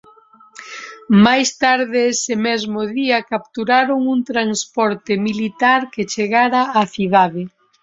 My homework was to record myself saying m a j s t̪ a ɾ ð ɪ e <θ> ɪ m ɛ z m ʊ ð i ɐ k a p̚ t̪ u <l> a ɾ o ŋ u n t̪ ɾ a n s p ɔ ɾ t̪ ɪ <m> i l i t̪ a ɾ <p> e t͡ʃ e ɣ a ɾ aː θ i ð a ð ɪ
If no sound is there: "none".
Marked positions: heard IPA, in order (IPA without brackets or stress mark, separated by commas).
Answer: s, ɾ, m, k